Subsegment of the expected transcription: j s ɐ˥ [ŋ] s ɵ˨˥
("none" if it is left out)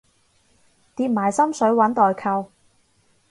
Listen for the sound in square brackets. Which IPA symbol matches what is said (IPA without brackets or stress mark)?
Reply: m